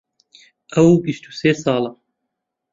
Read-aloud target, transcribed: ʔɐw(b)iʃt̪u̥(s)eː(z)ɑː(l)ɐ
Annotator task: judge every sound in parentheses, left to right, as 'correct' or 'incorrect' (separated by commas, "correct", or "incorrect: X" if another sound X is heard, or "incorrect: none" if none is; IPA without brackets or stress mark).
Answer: correct, correct, incorrect: s, correct